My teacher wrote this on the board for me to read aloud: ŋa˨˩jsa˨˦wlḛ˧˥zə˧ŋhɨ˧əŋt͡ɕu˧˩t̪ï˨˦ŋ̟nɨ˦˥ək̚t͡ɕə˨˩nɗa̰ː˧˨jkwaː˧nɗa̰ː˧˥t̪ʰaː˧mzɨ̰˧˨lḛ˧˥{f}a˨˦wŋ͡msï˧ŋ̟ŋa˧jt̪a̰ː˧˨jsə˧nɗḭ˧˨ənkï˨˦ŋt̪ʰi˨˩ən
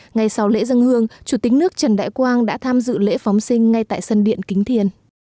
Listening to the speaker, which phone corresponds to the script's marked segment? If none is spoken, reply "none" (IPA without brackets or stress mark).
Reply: f